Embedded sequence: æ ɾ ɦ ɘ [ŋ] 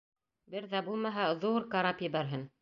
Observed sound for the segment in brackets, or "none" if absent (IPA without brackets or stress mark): n